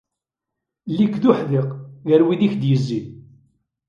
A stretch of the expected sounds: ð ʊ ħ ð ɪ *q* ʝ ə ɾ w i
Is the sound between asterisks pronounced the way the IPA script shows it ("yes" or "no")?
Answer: yes